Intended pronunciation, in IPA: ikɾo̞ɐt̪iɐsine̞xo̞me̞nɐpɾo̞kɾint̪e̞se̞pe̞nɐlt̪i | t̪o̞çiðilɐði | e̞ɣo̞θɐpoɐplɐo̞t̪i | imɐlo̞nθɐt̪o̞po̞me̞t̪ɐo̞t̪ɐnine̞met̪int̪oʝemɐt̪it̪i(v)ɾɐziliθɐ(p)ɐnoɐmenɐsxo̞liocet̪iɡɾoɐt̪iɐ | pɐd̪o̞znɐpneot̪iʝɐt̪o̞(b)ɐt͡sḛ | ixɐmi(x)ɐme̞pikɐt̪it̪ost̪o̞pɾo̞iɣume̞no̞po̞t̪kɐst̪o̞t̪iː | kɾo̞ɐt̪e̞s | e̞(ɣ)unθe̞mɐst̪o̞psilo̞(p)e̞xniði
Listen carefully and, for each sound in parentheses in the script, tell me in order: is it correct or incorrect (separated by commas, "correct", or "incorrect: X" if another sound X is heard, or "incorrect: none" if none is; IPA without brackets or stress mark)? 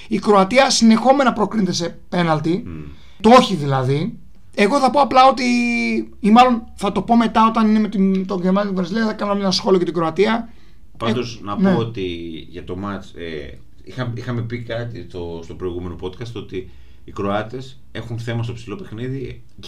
correct, incorrect: k, incorrect: m, correct, incorrect: x, correct